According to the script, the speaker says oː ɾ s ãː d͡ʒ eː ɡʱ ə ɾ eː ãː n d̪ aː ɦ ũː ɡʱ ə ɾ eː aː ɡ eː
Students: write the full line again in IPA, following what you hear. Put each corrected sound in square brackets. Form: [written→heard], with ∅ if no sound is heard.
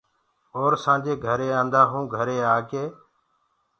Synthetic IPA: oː ɾ s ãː d͡ʒ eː ɡʱ ə ɾ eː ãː n d̪ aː ɦ ũː ɡʱ ə ɾ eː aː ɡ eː